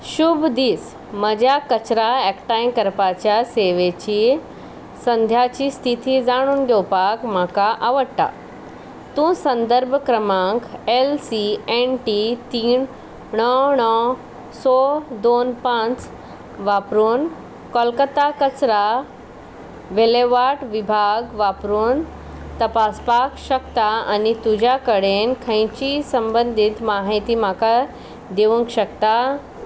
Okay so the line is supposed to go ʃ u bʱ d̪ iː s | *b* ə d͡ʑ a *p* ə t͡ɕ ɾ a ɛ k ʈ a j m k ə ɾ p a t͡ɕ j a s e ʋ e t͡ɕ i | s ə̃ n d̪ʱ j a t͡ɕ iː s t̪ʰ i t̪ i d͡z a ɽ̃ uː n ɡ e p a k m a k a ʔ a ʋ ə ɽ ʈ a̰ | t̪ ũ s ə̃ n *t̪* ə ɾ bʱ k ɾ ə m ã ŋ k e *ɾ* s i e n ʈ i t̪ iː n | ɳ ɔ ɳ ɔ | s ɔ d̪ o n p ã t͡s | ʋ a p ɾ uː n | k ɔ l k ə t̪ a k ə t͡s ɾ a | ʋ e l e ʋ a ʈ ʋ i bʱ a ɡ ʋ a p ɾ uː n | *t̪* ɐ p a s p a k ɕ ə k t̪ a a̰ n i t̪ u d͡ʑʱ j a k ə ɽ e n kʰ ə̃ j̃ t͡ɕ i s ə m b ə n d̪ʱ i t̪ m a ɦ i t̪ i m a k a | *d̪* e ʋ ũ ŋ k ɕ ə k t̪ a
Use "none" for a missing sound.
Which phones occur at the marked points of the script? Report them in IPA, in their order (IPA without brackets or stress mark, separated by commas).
m, k, d̪, l, t̪, d̪